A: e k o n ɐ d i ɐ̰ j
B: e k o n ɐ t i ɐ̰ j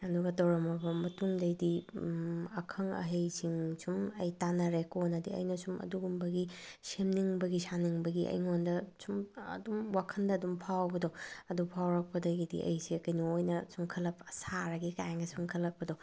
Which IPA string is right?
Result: A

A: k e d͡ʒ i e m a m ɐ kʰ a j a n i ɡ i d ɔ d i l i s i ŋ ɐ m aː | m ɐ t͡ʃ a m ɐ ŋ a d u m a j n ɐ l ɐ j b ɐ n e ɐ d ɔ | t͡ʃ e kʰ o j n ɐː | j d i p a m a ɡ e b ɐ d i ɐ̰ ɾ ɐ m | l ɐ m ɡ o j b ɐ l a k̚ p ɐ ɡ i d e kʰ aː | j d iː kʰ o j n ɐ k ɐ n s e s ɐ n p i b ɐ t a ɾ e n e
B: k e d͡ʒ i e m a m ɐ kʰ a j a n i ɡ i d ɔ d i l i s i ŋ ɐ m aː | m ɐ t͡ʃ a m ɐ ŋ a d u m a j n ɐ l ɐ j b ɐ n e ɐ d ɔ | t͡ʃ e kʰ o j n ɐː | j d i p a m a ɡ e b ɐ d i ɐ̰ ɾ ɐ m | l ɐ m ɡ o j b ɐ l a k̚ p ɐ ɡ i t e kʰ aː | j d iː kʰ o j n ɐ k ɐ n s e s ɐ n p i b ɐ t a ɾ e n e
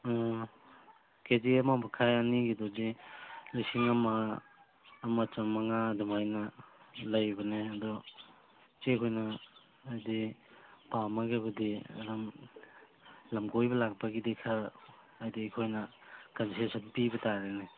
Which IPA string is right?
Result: A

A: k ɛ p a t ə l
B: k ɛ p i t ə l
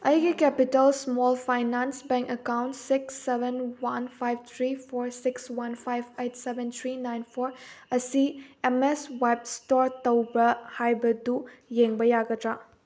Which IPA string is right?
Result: B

